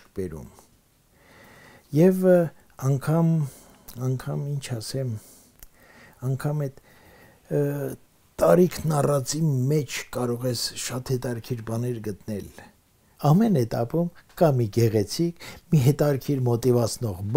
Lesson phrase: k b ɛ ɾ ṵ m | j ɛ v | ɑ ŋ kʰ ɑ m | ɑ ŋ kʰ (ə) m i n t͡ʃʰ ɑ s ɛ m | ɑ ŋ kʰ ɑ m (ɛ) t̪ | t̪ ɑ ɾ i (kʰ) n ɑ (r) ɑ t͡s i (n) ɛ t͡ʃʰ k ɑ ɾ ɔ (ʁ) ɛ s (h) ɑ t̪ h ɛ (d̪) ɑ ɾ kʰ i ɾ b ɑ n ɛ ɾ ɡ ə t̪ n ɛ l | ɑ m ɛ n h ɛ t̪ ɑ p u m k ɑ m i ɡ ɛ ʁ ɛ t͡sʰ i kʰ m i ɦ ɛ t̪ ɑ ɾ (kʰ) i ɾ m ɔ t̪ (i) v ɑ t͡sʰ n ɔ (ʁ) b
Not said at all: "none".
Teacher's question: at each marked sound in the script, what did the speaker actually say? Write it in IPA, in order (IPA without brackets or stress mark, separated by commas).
ɑ, ɛ, kʰ, r, m, ʁ, ʃ, t̪, kʰ, i, ʁ